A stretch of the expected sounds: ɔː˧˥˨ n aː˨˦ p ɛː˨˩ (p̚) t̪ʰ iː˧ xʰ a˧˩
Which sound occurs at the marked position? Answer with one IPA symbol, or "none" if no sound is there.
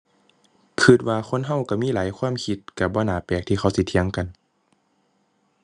k̚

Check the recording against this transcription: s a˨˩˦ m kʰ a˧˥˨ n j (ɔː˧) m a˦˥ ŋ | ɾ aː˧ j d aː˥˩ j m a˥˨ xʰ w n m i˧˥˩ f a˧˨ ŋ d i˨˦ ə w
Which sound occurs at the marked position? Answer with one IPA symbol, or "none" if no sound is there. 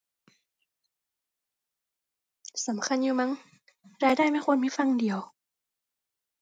uː˧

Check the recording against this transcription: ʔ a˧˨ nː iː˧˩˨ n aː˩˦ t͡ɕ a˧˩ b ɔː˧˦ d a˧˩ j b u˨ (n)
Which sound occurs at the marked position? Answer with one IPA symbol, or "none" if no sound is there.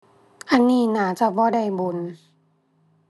n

